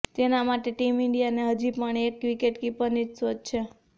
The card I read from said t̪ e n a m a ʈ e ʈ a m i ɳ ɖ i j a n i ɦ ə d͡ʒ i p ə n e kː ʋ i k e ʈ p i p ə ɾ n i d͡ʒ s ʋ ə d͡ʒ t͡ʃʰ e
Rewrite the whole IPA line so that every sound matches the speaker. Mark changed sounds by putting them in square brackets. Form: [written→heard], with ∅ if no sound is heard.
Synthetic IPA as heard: t̪ e n a m a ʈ e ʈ [a→i] m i ɳ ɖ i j a n [i→e] ɦ ə d͡ʒ i p ə [n→ɳ] e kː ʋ i k e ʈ [p→k] i p ə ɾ n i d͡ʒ s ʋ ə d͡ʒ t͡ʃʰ e